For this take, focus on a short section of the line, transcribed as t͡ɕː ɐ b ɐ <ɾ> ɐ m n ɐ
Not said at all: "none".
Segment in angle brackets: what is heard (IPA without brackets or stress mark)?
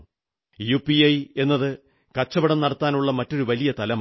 ɽ